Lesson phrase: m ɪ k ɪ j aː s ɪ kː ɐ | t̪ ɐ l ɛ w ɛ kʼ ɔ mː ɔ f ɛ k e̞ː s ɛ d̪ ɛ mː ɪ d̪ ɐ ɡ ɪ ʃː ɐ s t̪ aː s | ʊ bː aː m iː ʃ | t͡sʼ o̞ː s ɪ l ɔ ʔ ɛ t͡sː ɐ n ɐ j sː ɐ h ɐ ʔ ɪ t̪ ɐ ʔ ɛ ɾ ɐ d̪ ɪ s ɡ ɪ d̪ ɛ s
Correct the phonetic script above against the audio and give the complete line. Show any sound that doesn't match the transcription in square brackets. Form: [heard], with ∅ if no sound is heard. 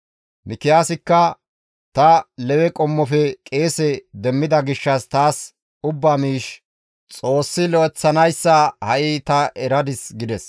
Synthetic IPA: m ɪ k ɪ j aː s ɪ kː ɐ | t̪ ɐ l ɛ w ɛ kʼ ɔ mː ɔ f ɛ [kʼ] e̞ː s ɛ d̪ ɛ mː ɪ d̪ ɐ ɡ ɪ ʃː ɐ s t̪ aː s | ʊ bː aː m iː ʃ | t͡sʼ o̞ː [sː] ɪ l ɔ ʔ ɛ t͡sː ɐ n ɐ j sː ɐ h ɐ ʔ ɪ t̪ ɐ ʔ ɛ ɾ ɐ d̪ ɪ s ɡ ɪ d̪ ɛ s

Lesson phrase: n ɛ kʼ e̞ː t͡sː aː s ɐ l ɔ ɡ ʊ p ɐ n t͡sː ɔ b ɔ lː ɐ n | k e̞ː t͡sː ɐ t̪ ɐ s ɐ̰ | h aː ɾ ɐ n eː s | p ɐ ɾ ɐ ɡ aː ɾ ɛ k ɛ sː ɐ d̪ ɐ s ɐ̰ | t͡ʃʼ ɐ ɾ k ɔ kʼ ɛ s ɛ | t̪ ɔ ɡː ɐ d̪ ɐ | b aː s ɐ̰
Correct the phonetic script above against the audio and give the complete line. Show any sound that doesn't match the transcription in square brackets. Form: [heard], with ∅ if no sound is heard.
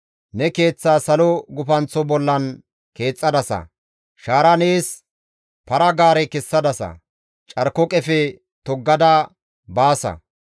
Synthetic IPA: n ɛ [k] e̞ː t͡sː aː s ɐ l ɔ ɡ ʊ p ɐ n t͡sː ɔ b ɔ lː ɐ n | k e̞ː [t͡sʼː] ɐ [d̪] ɐ s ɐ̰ | [ʃ] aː ɾ ɐ n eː s | p ɐ ɾ ɐ ɡ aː ɾ ɛ k ɛ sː ɐ d̪ ɐ s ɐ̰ | t͡ʃʼ ɐ ɾ k ɔ kʼ ɛ [f] ɛ | t̪ ɔ ɡː ɐ d̪ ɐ | b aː s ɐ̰

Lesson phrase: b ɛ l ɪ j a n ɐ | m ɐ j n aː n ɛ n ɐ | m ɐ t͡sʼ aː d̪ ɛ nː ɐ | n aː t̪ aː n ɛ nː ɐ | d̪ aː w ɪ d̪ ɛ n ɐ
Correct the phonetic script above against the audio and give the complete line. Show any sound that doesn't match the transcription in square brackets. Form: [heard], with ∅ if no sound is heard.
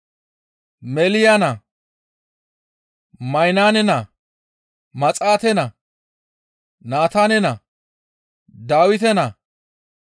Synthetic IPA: [m] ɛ l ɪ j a n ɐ | m ɐ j n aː n ɛ n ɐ | m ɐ t͡sʼ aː [t̪] ɛ [n] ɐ | n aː t̪ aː n ɛ [n] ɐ | d̪ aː w ɪ [t̪] ɛ n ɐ

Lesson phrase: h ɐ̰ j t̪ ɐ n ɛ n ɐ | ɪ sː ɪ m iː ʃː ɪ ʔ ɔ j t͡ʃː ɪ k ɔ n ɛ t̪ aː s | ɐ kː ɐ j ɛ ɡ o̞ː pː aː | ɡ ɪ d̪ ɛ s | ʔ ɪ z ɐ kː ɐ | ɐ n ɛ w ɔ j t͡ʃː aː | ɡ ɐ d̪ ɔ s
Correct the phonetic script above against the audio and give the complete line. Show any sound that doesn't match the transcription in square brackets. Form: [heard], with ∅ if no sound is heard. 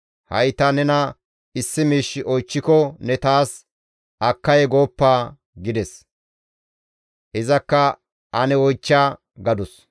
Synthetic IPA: h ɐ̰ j t̪ ɐ n ɛ n ɐ | ɪ sː ɪ m iː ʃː ɪ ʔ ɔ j t͡ʃː ɪ k ɔ n ɛ t̪ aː s | ɐ kː ɐ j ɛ ɡ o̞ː pː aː | ɡ ɪ d̪ ɛ s | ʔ ɪ z ɐ kː ɐ | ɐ n ɛ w ɔ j t͡ʃː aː | ɡ ɐ d̪ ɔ s

